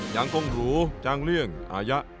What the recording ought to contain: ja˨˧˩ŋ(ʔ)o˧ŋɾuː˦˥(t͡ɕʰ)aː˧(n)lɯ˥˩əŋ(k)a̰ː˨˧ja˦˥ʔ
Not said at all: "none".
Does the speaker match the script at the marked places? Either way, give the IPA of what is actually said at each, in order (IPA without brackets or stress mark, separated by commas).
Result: k, t͡ɕ, ŋ, ʔ